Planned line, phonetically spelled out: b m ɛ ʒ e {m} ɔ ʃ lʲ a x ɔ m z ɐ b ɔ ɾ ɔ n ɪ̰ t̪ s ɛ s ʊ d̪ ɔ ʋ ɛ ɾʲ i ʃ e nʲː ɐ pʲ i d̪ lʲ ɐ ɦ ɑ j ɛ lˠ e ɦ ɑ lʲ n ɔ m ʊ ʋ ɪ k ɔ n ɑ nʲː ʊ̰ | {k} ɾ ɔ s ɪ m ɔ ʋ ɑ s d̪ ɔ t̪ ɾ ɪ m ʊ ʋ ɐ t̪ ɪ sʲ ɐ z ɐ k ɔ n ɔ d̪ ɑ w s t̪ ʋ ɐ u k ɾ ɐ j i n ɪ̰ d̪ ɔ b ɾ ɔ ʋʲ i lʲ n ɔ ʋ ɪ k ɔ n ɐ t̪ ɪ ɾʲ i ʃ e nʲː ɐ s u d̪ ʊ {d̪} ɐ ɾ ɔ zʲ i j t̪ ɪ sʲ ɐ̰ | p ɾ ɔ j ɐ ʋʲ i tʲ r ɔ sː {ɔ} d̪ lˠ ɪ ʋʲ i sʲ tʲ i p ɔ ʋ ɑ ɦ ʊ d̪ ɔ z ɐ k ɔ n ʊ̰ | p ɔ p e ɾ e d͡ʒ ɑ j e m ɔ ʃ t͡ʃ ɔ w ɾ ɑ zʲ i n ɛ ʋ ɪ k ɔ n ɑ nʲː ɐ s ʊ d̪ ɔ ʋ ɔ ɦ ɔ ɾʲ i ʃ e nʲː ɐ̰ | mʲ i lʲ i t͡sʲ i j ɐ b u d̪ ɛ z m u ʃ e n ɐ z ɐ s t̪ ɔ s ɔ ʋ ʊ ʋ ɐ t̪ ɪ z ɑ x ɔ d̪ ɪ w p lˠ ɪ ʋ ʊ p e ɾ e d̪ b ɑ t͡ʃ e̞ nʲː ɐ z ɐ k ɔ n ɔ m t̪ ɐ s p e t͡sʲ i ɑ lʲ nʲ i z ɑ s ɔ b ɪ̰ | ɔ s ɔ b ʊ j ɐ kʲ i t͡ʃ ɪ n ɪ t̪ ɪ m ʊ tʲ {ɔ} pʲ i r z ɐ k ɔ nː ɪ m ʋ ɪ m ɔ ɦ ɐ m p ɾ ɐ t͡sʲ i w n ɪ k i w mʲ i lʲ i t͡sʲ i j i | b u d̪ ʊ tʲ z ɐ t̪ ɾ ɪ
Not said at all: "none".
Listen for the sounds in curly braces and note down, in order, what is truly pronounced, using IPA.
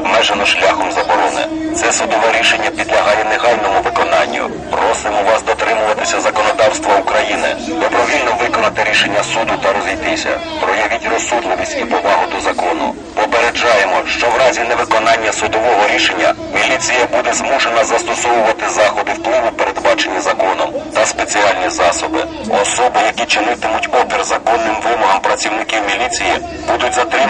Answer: n, p, t̪, u, ɔ

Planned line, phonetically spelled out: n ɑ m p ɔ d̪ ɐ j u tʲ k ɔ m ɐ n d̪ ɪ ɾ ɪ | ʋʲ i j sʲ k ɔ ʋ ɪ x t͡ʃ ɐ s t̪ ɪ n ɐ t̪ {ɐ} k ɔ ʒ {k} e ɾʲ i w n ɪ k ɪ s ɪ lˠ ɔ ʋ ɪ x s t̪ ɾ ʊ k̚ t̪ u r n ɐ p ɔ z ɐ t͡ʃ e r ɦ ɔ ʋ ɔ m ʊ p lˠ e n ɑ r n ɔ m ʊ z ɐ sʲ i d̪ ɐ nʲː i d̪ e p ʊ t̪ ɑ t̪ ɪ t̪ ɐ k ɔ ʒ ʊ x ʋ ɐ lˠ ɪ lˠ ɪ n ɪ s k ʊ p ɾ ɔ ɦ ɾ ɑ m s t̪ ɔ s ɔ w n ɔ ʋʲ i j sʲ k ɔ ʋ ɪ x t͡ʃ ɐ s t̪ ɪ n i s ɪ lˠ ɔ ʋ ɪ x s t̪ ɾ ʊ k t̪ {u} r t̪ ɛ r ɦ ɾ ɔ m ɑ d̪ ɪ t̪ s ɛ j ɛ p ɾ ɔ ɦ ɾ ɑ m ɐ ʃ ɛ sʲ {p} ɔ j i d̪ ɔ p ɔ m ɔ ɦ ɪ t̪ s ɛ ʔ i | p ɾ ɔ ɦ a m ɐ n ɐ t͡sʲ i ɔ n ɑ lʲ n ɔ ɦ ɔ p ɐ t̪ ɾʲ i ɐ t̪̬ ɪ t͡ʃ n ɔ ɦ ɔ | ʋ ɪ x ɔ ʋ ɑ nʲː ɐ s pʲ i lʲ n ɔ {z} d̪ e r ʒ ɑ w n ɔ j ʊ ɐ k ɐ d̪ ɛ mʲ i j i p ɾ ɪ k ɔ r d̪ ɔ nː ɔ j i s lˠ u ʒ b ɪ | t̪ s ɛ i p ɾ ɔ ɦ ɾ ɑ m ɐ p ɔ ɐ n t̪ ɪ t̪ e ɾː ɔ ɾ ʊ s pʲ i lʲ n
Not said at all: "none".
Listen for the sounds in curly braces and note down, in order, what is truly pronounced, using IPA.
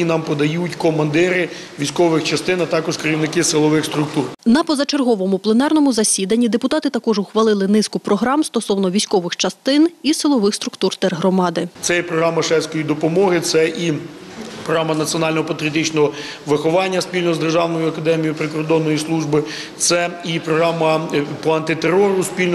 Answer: ɑ, k, u, k, z

